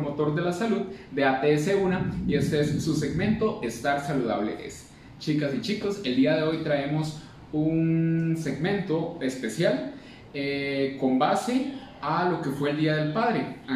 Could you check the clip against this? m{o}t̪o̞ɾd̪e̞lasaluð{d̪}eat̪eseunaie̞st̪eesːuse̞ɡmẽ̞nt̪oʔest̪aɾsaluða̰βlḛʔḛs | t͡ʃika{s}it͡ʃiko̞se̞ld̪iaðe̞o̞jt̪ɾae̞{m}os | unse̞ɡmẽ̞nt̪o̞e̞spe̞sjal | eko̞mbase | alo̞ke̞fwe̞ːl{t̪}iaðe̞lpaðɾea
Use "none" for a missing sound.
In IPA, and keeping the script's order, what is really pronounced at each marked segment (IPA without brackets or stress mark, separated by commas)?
o, d̪, s, m, d̪